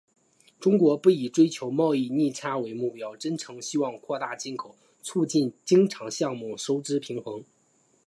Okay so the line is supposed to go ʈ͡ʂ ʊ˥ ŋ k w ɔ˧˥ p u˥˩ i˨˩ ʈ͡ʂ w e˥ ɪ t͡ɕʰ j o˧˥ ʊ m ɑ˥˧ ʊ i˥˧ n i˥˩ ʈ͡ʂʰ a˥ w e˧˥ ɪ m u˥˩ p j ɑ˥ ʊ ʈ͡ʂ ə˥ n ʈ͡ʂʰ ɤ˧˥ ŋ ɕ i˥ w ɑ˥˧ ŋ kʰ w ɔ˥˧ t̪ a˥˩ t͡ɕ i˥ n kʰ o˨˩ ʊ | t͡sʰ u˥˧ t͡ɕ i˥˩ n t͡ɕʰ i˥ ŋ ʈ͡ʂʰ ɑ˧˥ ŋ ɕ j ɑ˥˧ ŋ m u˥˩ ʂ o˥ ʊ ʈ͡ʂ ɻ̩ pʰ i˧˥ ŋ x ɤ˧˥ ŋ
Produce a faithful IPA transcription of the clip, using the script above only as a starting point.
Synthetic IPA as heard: ʈ͡ʂ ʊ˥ ŋ k w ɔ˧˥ p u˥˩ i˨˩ ʈ͡ʂ w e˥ ɪ t͡ɕʰ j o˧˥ ʊ m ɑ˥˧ ʊ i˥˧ n i˥˩ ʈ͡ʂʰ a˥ w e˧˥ ɪ m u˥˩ p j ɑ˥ ʊ ʈ͡ʂ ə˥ n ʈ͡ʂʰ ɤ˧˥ ŋ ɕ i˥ w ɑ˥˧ ŋ kʰ w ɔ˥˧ t̪ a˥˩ t͡ɕ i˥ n kʰ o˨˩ ʊ | t͡sʰ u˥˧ t͡ɕ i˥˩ n t͡ɕ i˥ ŋ ʈ͡ʂʰ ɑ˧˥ ŋ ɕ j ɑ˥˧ ŋ m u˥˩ ʂ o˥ ʊ ʈ͡ʂ ɻ̩ pʰ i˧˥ ŋ x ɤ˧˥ ŋ